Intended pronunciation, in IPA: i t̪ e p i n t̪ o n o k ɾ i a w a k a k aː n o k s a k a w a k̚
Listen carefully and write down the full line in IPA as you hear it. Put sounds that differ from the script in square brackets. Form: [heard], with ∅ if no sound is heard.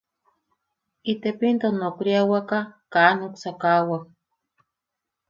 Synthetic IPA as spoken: i t̪ e p i n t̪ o n o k ɾ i a w a k a k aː n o k s a k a w a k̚